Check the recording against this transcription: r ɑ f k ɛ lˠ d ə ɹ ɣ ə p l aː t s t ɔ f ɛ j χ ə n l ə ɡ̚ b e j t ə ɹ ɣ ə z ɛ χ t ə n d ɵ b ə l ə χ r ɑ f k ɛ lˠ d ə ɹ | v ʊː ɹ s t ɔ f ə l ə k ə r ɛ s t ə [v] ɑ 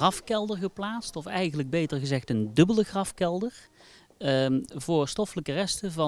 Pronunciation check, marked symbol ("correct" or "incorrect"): correct